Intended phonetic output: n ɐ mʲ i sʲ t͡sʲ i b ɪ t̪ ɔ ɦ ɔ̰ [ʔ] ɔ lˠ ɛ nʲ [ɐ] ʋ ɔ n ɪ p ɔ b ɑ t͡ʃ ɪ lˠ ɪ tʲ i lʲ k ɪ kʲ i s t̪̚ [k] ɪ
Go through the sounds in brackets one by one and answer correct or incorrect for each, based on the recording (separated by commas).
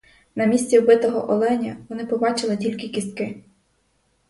correct, correct, correct